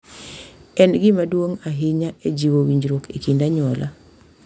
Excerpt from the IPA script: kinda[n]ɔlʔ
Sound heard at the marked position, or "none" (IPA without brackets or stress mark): ɲ